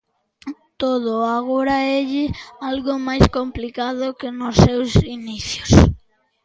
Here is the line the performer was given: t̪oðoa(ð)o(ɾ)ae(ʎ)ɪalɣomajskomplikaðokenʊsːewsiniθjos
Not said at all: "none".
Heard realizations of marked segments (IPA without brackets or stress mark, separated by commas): ɣ, ɾ, ʎ